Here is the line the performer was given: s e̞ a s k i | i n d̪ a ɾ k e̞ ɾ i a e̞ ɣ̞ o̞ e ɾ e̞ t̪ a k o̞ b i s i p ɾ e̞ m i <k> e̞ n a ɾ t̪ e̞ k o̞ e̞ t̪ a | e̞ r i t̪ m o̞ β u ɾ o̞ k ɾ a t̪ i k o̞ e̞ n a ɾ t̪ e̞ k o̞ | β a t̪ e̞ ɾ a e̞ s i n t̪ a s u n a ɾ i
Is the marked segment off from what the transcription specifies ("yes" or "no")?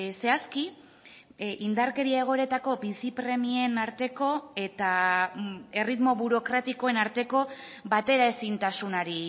yes